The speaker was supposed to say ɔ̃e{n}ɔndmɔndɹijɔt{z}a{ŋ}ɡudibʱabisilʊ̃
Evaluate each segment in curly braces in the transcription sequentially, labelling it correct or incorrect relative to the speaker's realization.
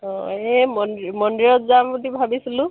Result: incorrect, correct, incorrect

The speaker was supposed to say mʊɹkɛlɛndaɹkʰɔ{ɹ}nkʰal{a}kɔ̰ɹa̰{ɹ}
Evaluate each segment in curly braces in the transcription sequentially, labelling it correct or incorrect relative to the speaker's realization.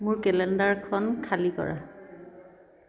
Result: incorrect, incorrect, incorrect

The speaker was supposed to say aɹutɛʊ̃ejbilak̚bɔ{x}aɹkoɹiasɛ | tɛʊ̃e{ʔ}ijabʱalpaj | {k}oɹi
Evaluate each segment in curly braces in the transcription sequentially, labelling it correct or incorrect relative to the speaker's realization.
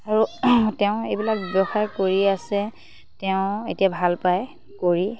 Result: correct, incorrect, correct

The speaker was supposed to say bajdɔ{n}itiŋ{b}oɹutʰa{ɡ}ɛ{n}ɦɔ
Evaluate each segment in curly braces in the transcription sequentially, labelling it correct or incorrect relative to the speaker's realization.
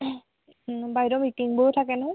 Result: incorrect, correct, incorrect, correct

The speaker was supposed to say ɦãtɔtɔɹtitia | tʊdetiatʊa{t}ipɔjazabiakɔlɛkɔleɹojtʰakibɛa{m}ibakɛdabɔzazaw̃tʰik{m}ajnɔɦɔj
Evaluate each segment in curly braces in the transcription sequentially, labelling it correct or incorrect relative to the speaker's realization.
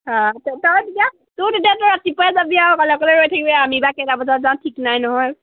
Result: correct, correct, incorrect

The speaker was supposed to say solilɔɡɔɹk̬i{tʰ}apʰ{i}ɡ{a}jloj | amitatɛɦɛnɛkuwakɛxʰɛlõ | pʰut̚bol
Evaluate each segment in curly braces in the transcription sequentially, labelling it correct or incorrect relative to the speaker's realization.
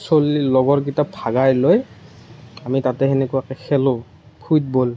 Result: incorrect, incorrect, correct

